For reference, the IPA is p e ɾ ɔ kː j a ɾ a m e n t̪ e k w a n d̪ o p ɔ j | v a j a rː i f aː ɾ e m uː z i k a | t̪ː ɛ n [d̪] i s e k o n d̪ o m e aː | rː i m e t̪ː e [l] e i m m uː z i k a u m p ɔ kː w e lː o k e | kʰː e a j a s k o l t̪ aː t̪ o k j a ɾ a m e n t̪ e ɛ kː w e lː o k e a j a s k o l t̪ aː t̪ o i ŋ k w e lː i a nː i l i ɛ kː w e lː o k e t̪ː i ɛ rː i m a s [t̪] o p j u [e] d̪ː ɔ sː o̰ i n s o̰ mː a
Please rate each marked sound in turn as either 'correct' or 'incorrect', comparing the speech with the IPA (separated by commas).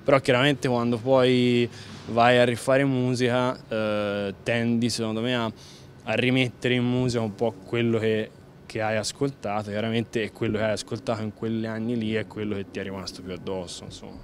correct, incorrect, correct, incorrect